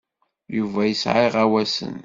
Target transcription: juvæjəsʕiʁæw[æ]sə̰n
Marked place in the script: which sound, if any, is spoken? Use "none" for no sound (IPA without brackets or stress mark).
æ